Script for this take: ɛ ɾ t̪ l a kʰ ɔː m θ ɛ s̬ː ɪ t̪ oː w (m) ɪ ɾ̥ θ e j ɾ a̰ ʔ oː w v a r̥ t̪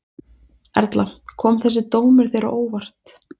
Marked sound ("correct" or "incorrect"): correct